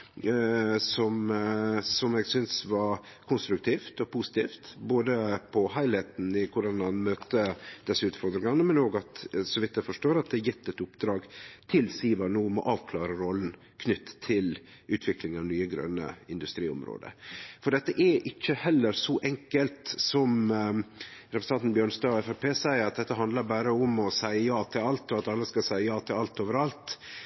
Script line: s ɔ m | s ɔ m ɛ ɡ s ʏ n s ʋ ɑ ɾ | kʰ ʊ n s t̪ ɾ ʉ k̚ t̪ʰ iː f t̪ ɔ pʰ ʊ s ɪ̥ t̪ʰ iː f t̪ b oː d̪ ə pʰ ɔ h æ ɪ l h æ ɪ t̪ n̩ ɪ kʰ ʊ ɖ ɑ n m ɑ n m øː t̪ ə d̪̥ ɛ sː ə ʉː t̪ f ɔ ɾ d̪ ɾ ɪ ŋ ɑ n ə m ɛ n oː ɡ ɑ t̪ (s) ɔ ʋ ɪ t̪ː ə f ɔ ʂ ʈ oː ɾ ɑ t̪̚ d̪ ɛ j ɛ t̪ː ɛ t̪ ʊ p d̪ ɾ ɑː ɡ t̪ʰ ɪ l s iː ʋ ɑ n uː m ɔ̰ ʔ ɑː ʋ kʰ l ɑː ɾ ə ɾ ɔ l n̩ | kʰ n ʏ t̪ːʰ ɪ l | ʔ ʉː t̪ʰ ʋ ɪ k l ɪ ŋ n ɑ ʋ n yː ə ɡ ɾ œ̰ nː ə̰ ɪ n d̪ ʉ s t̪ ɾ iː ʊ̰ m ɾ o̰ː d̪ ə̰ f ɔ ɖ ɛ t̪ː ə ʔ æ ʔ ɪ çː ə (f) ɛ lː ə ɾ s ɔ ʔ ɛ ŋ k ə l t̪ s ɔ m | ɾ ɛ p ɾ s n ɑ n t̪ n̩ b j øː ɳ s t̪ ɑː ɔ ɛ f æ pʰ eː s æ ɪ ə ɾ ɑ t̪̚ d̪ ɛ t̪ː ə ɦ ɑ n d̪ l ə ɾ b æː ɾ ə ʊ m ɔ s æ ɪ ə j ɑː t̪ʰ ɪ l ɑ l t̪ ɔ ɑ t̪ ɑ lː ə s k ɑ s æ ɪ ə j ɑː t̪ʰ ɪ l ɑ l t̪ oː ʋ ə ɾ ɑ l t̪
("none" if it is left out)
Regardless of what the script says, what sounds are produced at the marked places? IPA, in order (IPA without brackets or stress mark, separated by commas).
s, h